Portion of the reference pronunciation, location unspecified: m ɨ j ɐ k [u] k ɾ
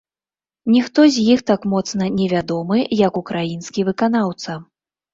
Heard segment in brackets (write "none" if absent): u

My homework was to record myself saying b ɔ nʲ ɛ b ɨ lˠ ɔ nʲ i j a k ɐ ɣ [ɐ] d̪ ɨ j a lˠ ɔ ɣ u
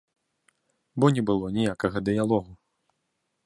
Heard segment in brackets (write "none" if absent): ɐ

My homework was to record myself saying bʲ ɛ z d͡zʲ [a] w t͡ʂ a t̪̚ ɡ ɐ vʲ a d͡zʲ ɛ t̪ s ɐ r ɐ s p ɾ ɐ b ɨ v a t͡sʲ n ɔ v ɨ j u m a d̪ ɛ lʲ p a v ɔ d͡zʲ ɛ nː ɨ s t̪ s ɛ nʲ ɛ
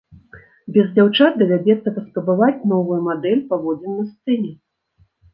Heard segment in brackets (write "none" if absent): a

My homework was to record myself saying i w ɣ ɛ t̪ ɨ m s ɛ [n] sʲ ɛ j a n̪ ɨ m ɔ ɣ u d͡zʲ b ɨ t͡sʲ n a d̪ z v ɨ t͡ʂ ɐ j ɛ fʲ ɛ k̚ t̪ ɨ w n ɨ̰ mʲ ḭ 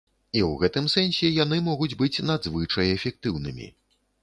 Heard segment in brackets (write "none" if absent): n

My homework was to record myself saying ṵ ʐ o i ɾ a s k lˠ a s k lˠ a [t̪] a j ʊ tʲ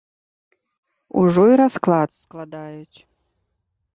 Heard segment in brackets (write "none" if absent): d̪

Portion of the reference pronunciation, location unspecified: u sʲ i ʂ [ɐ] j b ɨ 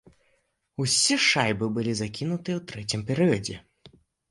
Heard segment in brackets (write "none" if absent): a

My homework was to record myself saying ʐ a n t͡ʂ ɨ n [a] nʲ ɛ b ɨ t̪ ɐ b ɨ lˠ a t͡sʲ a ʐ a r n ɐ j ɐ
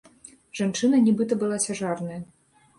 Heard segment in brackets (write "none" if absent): ɐ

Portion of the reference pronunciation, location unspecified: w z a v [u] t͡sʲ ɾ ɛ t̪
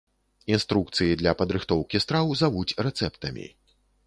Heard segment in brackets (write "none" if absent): u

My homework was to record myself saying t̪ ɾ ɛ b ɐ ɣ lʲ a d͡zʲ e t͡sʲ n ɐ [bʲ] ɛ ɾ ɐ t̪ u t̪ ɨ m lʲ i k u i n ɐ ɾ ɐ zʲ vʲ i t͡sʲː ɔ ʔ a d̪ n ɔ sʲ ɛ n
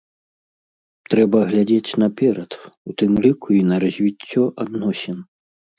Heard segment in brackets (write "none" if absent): pʲ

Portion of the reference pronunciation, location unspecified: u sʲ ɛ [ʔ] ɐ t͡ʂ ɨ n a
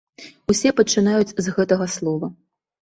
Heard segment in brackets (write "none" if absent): p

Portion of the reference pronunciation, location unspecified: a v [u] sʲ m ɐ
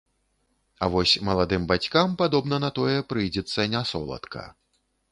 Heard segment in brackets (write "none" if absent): ɔ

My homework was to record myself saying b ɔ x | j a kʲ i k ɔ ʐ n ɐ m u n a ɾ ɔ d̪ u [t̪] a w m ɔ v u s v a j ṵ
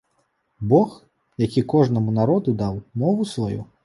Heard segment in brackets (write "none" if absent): d̪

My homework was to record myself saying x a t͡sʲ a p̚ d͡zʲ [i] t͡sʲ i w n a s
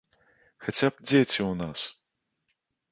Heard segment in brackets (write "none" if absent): e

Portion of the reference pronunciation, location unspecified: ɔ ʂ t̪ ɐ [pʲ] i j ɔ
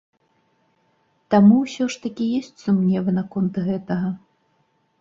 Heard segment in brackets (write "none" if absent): kʲ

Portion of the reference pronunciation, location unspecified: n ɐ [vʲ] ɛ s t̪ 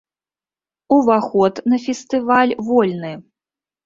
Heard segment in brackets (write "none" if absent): fʲ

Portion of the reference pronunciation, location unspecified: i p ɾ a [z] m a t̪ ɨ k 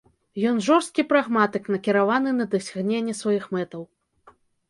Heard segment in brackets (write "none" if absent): ɣ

